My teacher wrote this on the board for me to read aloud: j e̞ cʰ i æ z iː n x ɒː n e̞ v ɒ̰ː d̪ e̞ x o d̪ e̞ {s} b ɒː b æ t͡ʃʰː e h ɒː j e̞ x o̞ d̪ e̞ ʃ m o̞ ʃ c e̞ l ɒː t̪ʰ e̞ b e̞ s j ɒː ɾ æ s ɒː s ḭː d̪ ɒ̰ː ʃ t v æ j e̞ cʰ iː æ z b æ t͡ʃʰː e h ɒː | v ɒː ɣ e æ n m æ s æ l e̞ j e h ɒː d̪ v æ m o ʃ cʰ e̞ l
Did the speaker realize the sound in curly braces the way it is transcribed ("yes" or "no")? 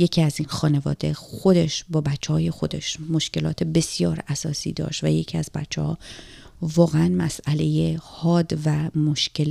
no